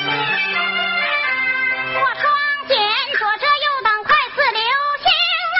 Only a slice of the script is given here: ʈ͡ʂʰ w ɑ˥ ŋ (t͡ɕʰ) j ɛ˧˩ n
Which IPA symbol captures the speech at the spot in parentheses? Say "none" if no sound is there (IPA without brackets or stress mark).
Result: t͡ɕ